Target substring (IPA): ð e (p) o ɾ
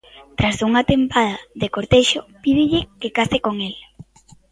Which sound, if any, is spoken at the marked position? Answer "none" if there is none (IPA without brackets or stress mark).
k